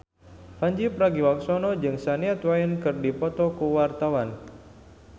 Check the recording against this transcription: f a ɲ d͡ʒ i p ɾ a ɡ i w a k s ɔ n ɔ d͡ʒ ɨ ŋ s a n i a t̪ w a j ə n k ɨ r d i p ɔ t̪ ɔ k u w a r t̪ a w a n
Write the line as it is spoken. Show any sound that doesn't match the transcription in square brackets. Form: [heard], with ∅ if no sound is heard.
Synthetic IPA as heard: f a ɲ d͡ʒ i p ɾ a ɡ i w a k s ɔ n ɔ d͡ʒ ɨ ŋ s a n i a t̪ w a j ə n k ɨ r d i p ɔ t̪ ɔ k u w a r t̪ a w a n